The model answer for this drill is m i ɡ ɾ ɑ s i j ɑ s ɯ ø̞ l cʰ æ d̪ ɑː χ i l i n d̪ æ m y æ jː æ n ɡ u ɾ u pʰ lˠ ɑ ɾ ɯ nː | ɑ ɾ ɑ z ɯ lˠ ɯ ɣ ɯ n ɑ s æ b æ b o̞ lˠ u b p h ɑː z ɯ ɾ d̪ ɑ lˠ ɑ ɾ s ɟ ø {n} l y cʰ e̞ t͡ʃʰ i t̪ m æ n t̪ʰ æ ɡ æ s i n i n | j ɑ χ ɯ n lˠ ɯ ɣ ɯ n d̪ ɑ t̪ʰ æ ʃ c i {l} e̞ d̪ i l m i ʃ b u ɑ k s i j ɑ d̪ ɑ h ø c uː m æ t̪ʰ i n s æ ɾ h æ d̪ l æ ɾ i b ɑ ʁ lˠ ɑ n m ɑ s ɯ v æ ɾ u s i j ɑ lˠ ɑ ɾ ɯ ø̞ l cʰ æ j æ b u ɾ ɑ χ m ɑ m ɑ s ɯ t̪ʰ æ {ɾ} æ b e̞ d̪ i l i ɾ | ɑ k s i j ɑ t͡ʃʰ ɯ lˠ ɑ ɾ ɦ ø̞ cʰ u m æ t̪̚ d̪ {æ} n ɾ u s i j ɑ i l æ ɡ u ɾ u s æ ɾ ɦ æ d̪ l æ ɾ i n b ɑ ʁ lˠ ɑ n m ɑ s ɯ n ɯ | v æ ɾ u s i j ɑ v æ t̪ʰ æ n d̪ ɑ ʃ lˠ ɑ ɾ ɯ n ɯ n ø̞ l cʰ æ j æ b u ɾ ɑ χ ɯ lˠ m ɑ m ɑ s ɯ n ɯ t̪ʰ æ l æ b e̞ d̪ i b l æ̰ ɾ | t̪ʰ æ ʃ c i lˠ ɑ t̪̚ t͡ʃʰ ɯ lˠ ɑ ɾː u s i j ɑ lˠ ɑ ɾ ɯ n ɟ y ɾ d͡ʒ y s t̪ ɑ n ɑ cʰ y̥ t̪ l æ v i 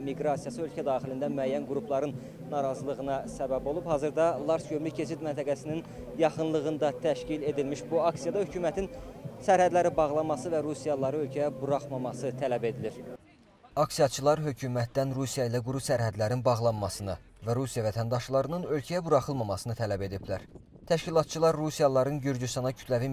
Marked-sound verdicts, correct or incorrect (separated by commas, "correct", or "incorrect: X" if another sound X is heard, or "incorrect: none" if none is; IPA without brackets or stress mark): incorrect: m, correct, incorrect: l, correct